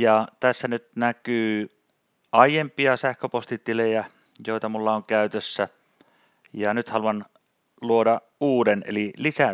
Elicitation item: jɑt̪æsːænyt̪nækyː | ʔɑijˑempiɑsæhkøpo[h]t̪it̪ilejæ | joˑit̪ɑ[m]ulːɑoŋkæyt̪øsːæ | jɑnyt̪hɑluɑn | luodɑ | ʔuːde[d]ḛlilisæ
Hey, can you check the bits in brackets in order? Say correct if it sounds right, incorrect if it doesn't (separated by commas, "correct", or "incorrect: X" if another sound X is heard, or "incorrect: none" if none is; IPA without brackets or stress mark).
incorrect: s, correct, incorrect: n